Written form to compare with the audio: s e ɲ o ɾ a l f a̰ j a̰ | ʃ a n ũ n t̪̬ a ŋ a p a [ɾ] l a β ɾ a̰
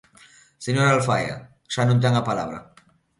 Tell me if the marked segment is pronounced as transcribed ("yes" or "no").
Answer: no